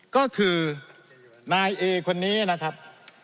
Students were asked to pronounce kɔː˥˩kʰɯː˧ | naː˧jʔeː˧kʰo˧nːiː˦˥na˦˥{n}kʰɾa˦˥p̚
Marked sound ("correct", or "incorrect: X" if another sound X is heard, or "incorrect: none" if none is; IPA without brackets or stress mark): incorrect: none